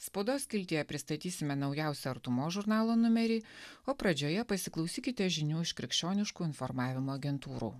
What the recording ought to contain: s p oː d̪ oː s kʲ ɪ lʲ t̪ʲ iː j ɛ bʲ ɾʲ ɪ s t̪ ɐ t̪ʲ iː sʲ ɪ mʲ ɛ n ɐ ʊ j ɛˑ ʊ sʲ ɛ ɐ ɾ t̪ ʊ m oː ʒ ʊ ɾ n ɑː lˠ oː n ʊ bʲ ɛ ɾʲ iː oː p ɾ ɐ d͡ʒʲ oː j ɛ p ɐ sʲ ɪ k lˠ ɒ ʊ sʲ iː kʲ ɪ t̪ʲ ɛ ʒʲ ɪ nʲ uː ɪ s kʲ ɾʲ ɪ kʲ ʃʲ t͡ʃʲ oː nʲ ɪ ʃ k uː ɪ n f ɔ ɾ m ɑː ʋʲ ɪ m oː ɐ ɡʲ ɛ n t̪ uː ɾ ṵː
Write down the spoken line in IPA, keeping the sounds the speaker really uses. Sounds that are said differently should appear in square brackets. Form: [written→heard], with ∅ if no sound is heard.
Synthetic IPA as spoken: s p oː d̪ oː s kʲ ɪ lʲ t̪ʲ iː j ɛ [bʲ→pʲ] ɾʲ ɪ s t̪ ɐ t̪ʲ iː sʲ ɪ mʲ ɛ n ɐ ʊ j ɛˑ ʊ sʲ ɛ ɐ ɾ t̪ ʊ m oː ʒ ʊ ɾ n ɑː lˠ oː n ʊ [bʲ→mʲ] ɛ ɾʲ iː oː p ɾ ɐ d͡ʒʲ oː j ɛ p ɐ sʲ ɪ k lˠ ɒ ʊ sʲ iː kʲ ɪ t̪ʲ ɛ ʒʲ ɪ nʲ uː ɪ [s→ʃ] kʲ ɾʲ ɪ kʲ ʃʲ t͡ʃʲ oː nʲ ɪ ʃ k uː ɪ n f ɔ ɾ m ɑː ʋʲ ɪ m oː ɐ ɡʲ ɛ n t̪ uː ɾ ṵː

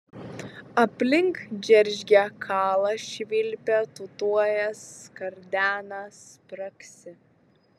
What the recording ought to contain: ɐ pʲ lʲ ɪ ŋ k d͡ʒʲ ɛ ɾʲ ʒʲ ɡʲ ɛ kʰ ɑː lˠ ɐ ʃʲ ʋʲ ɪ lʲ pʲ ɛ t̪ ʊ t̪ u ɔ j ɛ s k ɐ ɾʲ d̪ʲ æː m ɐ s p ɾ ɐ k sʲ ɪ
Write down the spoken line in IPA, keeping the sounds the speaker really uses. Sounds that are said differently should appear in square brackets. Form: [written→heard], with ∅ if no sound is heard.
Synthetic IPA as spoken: ɐ pʲ lʲ ɪ ŋ k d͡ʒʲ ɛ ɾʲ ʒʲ ɡʲ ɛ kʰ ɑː lˠ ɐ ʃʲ ʋʲ ɪ lʲ pʲ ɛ t̪ ʊ t̪ u ɔ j ɛ s k ɐ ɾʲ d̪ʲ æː [m→n] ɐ s p ɾ ɐ k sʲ ɪ

